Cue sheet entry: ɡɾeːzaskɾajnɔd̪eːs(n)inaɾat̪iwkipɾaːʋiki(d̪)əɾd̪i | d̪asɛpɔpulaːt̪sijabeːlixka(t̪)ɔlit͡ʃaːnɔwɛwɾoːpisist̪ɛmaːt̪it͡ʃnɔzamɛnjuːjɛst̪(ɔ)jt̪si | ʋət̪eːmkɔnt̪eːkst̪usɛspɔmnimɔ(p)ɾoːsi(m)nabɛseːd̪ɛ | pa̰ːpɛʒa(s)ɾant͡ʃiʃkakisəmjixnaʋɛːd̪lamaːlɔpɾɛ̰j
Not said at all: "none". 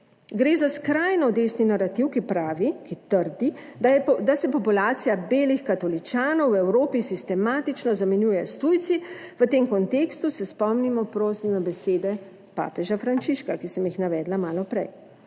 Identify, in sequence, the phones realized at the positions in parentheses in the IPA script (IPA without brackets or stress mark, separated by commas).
n, t̪, t̪, u, p, m, f